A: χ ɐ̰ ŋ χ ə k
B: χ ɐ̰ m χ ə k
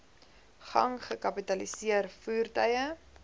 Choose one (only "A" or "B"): A